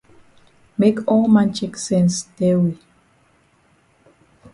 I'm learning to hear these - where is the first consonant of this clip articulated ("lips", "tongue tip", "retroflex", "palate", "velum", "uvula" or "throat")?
lips